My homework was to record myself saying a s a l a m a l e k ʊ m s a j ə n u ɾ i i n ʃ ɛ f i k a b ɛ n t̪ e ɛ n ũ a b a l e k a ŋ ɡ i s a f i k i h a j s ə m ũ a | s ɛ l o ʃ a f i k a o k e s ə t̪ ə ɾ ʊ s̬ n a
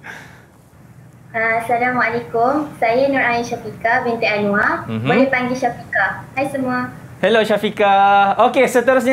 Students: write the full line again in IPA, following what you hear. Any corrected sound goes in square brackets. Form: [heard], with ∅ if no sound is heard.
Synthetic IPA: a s a l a m a l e k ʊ m s a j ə n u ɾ [a] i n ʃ [a] f i k a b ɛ n t̪ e [a] n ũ a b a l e [p] a ŋ ɡ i [ʃ] a f i k [a] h a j s ə m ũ a | [h] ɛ l o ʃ a f i k a o k e s ə t̪ ə ɾ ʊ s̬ [ɲ] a